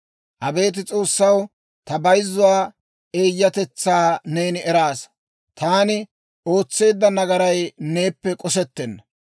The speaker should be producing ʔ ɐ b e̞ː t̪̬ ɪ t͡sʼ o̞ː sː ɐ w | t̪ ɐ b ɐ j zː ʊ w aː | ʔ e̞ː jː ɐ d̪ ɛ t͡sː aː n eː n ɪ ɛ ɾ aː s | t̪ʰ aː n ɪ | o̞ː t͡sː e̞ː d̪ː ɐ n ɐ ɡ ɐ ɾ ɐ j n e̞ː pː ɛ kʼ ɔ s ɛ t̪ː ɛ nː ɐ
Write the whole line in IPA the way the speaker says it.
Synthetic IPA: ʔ ɐ b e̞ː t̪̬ ɪ t͡sʼ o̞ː sː ɐ w | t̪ ɐ b ɐ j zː ʊ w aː | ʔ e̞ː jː ɐ t̪ ɛ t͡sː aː n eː n ɪ ɛ ɾ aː s | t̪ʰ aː n ɪ | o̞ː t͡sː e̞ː d̪ː ɐ n ɐ ɡ ɐ ɾ ɐ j n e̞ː pː ɛ kʼ ɔ s ɛ t̪ː ɛ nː ɐ